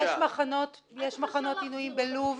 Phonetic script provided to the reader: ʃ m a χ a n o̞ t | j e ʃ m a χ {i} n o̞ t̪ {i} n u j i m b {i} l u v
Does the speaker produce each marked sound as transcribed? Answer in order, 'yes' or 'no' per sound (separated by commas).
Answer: no, yes, no